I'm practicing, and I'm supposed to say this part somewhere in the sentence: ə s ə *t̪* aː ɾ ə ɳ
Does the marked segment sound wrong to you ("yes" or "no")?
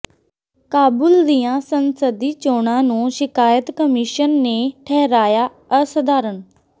yes